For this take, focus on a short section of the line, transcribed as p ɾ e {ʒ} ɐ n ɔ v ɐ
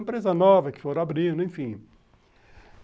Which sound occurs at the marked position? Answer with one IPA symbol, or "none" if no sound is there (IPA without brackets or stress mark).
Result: z